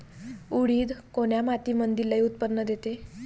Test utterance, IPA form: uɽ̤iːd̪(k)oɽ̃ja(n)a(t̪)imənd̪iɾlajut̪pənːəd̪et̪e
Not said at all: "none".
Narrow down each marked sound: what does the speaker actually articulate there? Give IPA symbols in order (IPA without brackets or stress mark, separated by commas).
k, m, t̪